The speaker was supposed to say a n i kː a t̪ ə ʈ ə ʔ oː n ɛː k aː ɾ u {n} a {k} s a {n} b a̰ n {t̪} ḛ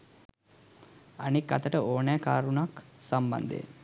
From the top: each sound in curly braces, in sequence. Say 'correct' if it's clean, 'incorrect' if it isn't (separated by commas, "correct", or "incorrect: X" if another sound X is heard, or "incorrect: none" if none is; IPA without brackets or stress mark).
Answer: correct, correct, incorrect: m, incorrect: d̪